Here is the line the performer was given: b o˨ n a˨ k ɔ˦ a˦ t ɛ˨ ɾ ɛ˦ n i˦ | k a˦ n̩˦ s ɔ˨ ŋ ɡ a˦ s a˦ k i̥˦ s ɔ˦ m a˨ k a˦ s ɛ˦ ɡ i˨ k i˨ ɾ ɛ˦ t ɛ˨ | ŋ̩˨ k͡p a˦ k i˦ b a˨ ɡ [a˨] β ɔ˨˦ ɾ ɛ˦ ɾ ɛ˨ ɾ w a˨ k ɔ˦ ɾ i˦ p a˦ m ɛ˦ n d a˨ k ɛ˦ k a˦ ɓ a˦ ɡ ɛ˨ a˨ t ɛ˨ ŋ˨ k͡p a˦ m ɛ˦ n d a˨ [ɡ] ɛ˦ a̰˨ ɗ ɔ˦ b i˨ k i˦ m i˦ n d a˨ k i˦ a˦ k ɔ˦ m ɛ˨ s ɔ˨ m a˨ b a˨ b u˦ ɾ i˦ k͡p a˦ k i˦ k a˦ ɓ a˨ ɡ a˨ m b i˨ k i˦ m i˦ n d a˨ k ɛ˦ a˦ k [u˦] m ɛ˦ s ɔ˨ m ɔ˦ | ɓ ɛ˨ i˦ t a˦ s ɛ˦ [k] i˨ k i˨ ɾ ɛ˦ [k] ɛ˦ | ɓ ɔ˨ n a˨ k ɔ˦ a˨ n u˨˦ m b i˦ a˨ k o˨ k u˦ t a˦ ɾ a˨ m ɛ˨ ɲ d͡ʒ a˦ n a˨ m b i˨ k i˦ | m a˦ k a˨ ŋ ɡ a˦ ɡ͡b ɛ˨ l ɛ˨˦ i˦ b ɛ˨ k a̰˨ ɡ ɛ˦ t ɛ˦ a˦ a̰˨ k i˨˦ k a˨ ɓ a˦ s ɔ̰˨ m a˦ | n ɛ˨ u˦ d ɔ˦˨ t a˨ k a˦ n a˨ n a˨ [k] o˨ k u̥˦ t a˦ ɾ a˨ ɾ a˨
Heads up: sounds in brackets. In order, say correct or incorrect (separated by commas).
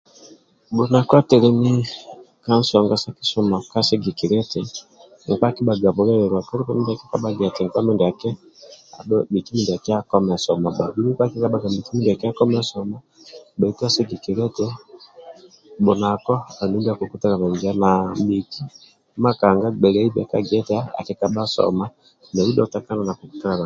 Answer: correct, incorrect, incorrect, incorrect, incorrect, correct